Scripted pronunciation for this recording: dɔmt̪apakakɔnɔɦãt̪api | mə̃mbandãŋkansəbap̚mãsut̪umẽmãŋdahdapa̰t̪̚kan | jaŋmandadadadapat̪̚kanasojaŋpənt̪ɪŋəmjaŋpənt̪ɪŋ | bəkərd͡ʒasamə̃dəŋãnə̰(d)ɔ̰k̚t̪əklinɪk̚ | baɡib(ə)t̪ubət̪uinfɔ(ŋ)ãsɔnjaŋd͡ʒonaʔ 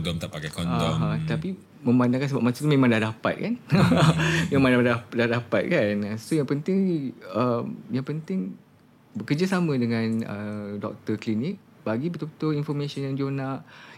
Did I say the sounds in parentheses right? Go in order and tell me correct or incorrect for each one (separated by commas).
correct, correct, incorrect